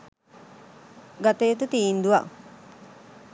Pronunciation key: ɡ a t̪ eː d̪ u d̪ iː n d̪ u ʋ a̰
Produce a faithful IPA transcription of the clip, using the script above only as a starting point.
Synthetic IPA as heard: ɡ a t̪ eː t̪ u t̪ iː n d̪ u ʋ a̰